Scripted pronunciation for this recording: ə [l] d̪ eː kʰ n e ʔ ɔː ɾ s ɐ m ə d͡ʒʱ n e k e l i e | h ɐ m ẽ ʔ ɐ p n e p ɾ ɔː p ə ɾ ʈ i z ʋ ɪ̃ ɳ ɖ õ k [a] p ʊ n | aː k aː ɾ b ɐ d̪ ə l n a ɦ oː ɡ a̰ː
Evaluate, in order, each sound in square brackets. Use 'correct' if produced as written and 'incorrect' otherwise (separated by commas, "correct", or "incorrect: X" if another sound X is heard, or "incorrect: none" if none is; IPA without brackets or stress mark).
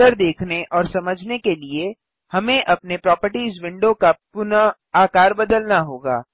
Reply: incorrect: ɾ, correct